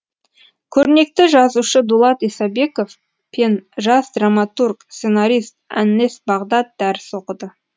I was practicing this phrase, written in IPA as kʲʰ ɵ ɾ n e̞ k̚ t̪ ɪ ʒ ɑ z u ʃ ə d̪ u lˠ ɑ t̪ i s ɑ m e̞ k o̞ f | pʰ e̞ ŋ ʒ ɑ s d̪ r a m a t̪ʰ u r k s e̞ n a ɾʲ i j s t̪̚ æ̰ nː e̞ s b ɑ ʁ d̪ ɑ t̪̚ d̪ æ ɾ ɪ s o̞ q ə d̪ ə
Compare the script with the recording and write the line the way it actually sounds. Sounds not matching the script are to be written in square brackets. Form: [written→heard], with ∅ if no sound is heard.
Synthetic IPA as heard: kʲʰ ɵ ɾ n e̞ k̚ t̪ ɪ ʒ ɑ z u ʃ ə d̪ u lˠ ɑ t̪ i s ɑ [m→b] e̞ k o̞ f | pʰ e̞ [ŋ→n] ʒ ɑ s d̪ r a m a [t̪ʰ→t̪] u r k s e̞ n a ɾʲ i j s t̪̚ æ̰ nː e̞ s b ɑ ʁ d̪ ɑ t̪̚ d̪ æ ɾ ɪ s o̞ q ə d̪ ə